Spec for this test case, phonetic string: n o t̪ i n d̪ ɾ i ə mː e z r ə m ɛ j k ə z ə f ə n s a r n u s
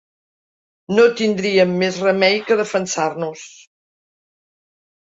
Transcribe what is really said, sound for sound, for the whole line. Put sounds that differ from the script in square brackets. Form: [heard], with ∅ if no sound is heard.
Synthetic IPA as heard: n o t̪ i n d̪ ɾ i ə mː e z r ə m ɛ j k ə [ð] ə f ə n s a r n u s